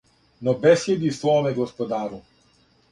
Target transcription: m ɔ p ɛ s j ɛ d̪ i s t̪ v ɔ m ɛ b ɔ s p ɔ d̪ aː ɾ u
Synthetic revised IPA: n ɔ b ɛ s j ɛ d̪ i s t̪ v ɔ m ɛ ɡ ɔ s p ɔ d̪ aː ɾ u